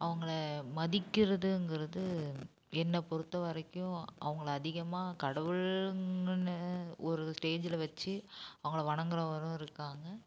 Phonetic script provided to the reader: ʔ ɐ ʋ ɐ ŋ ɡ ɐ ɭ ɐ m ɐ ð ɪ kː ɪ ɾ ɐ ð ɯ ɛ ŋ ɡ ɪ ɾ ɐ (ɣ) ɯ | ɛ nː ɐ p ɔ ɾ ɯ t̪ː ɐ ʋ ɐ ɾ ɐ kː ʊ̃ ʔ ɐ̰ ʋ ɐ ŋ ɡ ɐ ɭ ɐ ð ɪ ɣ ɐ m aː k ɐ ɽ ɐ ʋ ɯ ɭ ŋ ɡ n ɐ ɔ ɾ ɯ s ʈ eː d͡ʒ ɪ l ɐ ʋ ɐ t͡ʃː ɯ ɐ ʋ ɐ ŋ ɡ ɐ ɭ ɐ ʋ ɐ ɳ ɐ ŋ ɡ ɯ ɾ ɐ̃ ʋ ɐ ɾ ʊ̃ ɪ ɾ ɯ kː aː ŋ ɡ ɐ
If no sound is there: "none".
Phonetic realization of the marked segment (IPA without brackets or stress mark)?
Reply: ð